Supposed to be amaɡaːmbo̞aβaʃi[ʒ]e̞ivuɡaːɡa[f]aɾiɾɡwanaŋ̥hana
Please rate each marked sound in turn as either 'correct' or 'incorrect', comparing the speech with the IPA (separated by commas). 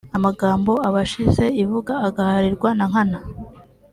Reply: incorrect, incorrect